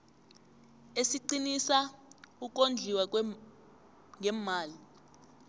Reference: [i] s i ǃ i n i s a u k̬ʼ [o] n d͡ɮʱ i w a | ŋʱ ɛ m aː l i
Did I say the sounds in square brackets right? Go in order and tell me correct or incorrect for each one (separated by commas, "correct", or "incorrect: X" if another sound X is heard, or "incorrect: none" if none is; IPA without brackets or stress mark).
incorrect: e, correct